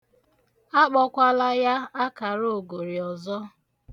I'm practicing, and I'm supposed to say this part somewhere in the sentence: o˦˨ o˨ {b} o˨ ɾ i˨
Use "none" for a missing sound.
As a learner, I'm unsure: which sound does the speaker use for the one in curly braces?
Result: ɡ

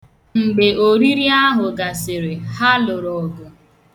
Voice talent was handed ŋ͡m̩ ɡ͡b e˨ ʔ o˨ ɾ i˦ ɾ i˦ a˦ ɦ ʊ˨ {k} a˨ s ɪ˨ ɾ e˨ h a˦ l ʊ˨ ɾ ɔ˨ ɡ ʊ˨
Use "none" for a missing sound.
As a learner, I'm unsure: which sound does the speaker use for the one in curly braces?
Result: ɡ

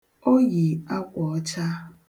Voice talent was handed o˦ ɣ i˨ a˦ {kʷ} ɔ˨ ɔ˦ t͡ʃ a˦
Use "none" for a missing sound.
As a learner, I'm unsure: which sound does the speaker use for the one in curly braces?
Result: kʷ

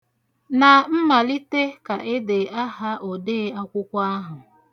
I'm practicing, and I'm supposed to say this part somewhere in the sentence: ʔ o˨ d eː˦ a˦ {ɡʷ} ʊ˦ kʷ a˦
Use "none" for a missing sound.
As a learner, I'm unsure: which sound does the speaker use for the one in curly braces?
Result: kʷ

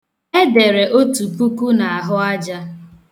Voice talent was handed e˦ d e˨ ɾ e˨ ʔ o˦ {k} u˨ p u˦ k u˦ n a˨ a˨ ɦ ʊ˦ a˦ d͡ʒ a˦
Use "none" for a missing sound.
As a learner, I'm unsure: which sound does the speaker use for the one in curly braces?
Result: t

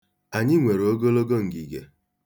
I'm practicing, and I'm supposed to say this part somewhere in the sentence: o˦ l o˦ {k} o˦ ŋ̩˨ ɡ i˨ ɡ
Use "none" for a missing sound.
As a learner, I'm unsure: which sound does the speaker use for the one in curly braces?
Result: ɡ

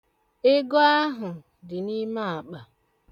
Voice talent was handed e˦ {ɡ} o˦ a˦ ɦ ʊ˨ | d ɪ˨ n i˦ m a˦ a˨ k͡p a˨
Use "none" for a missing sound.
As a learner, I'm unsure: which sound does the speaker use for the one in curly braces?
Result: ɡ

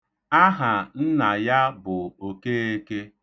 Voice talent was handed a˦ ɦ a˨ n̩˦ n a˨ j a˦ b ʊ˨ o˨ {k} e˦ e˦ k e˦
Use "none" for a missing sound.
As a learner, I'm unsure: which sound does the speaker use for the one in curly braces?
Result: k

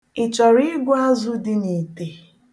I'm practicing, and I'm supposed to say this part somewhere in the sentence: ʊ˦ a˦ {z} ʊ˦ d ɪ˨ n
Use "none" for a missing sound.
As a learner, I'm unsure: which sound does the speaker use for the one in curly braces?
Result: z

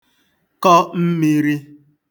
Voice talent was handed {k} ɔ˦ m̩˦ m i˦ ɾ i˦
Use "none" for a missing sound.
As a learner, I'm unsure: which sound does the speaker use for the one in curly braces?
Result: k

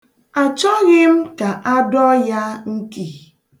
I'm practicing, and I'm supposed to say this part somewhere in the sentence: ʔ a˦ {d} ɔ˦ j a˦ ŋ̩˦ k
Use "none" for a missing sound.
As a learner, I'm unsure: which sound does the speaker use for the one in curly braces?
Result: d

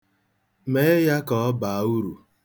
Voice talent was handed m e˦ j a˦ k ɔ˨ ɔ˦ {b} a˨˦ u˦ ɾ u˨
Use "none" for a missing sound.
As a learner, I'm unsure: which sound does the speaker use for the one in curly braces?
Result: b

